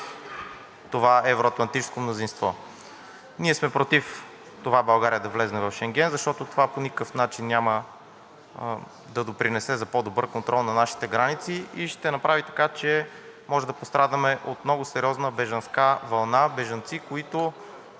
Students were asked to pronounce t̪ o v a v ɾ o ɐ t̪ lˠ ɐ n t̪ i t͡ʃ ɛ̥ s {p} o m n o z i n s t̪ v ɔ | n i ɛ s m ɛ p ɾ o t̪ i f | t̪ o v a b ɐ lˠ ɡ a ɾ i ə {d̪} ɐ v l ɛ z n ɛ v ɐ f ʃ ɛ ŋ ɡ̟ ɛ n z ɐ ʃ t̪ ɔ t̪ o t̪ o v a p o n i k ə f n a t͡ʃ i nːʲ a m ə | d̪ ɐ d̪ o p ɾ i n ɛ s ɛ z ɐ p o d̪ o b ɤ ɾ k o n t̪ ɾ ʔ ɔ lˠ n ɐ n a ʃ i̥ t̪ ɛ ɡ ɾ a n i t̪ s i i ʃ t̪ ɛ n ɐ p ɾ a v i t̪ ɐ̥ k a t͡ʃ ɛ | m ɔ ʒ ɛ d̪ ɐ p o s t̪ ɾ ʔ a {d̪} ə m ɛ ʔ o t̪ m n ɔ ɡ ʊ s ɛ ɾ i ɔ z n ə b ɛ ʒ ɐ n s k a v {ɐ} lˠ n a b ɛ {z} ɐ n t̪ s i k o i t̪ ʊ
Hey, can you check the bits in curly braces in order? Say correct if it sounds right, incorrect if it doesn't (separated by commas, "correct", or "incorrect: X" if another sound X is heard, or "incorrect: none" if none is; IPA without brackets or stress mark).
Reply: incorrect: k, correct, correct, correct, incorrect: ʒ